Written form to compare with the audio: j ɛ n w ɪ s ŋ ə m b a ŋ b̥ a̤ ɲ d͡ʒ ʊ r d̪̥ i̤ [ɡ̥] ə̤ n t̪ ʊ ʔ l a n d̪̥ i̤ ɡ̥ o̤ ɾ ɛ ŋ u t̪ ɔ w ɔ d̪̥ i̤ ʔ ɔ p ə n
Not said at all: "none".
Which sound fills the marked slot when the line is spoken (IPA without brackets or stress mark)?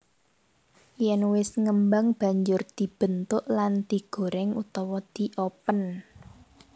b̥